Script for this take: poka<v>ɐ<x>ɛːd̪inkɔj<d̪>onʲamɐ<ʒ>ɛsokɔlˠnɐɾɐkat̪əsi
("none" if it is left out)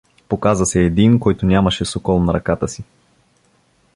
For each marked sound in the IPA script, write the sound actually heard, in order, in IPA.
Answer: z, s, t̪, ʃ

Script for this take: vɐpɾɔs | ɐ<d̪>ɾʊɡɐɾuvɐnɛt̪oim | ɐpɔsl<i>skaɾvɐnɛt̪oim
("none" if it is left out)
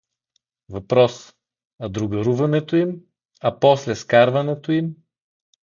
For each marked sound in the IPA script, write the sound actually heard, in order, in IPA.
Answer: d̪, ɛ

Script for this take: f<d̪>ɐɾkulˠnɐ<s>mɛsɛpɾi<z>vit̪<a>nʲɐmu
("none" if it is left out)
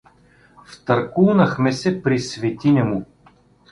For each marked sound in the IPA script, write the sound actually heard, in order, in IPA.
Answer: t̪, x, s, i

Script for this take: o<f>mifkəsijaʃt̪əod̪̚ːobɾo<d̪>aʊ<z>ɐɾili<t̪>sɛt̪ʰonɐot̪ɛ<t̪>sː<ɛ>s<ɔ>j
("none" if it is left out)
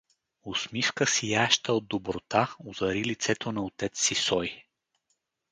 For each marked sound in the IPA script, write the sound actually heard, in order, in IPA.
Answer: s, t̪, z, t̪, t̪, i, ɔ

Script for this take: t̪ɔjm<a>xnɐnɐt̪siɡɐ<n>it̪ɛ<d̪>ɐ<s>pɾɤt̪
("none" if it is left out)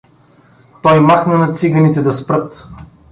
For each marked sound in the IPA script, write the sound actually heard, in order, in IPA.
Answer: a, n, d̪, s

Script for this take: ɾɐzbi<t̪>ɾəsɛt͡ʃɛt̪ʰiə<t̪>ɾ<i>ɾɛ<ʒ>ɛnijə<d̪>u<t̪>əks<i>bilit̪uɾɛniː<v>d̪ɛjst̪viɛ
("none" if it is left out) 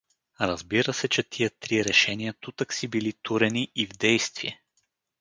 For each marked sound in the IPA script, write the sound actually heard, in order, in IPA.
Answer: none, t̪, i, ʃ, t̪, t̪, i, v

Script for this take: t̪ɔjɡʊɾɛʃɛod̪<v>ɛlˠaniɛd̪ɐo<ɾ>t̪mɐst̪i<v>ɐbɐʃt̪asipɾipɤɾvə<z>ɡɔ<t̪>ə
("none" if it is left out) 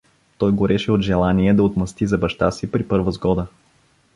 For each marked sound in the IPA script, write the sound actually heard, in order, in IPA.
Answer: ʒ, none, z, z, d̪

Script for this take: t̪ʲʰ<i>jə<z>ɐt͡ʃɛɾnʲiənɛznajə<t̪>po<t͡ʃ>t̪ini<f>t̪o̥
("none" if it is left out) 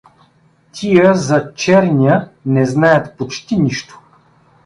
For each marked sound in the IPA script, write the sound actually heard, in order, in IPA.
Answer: i, z, t̪, t͡ʃ, ʃ

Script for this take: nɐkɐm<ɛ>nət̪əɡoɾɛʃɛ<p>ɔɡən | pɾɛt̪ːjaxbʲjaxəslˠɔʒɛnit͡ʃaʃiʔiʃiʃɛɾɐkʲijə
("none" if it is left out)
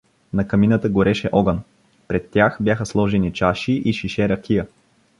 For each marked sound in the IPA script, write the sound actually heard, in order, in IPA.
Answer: i, ʔ

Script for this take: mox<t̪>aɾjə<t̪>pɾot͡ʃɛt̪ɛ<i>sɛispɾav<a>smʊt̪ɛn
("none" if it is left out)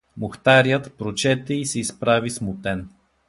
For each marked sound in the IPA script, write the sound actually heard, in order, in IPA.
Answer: t̪, t̪, i, i

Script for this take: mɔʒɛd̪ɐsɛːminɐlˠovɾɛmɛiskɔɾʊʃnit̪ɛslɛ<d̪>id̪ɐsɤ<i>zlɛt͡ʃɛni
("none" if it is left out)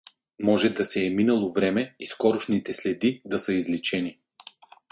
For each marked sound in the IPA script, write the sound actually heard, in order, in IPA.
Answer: d̪, i

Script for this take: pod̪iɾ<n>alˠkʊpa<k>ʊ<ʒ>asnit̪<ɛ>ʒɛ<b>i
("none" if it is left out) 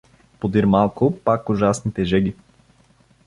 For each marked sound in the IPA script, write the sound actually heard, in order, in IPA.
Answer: m, k, ʒ, ɛ, ɡ

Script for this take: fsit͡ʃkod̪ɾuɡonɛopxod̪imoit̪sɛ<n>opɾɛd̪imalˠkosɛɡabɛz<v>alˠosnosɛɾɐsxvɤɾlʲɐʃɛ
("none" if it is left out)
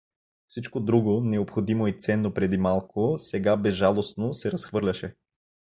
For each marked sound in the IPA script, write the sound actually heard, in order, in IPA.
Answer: nː, ʒ

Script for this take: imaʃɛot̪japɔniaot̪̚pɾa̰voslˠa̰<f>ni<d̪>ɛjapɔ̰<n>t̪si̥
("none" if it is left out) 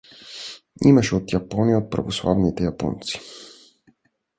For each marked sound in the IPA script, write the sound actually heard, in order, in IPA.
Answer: v, t̪, n

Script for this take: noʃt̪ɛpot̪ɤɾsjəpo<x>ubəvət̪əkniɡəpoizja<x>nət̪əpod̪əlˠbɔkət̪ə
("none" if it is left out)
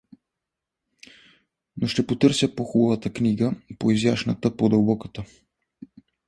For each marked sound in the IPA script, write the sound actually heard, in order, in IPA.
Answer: x, ʃ

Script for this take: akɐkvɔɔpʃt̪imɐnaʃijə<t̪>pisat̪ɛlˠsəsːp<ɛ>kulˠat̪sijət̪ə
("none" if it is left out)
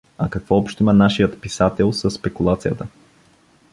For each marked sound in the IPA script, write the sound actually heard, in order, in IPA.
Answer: t̪, ɛ

